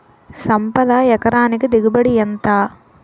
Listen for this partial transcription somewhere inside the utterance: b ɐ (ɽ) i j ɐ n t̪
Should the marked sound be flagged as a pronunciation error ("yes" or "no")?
no